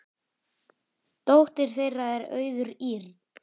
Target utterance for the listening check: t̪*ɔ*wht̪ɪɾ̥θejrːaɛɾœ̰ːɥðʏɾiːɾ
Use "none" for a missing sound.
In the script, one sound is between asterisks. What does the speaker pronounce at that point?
o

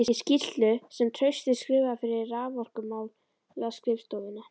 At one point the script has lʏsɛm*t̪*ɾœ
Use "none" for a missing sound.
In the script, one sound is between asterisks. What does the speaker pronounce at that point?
t̪ʰ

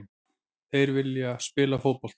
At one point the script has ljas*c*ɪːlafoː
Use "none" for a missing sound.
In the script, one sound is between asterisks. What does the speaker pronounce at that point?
p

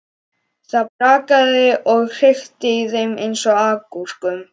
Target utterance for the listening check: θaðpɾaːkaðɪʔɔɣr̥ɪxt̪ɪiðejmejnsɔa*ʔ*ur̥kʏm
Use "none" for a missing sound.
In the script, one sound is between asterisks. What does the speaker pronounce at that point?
k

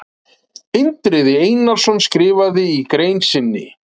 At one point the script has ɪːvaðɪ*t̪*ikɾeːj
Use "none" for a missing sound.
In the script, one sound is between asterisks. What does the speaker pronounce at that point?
none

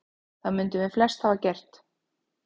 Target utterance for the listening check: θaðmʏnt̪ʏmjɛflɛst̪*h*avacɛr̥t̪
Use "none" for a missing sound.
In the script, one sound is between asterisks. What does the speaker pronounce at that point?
h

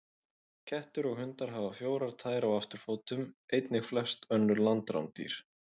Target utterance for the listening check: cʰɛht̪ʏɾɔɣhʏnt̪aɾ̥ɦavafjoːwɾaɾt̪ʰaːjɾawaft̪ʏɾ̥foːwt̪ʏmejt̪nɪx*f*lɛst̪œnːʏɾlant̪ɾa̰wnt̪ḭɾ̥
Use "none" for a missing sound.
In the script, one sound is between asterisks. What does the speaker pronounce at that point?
f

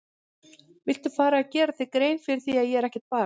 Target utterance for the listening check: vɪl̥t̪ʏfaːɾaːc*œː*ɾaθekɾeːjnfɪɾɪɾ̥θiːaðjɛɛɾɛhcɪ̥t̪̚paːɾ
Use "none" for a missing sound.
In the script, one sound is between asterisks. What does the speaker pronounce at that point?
ɛː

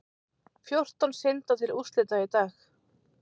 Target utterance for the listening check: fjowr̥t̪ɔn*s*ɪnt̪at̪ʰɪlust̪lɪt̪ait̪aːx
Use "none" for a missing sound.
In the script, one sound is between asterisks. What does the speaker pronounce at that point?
s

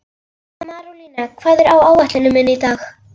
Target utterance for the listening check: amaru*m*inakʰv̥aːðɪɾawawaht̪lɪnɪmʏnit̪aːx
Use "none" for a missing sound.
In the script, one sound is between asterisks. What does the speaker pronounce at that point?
n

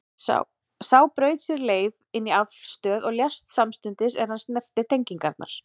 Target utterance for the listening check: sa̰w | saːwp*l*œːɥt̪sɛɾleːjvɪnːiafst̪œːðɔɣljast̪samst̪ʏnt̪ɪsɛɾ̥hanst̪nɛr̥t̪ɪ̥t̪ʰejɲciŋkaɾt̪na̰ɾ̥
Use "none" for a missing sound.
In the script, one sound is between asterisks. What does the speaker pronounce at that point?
ɾ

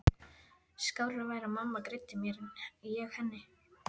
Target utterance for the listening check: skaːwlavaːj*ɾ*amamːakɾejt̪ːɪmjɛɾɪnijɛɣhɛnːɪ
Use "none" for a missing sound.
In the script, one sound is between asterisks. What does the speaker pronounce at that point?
ɾ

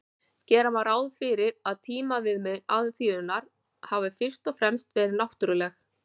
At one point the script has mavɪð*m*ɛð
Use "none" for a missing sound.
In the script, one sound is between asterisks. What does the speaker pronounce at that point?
m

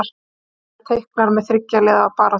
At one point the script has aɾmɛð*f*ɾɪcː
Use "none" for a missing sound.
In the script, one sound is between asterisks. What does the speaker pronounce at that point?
θ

